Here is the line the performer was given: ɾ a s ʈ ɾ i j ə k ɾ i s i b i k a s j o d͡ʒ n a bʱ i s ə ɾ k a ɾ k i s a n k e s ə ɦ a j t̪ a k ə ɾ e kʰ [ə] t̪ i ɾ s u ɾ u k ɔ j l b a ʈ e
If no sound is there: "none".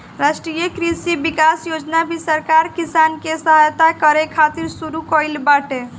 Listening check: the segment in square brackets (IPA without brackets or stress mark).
a